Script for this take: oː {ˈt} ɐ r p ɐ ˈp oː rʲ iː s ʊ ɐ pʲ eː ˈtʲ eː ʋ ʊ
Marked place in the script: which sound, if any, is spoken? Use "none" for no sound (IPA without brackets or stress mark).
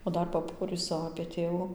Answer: d